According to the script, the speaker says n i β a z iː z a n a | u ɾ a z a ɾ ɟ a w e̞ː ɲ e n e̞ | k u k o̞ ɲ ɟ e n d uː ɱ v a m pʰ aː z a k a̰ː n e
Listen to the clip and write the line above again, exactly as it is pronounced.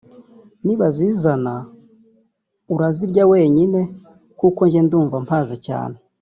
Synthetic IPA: n i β a z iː z a n a | u ɾ a z i ɾ ɟ a w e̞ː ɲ i n e̞ | k u k o̞ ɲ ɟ e n d uː ɱ v a m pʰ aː z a c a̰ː n e